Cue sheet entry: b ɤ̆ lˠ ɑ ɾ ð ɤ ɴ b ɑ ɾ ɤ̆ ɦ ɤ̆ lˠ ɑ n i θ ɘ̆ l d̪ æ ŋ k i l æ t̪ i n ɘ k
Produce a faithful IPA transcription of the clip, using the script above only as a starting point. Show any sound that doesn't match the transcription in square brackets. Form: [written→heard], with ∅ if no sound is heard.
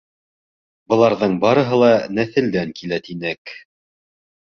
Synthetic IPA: b ɤ̆ lˠ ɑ ɾ ð ɤ ɴ b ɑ ɾ ɤ̆ ɦ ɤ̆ lˠ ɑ n [i→æ] θ ɘ̆ l d̪ æ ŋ k i l æ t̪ i n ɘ k